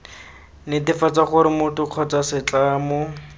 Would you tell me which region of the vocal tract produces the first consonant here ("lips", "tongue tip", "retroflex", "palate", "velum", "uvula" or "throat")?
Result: tongue tip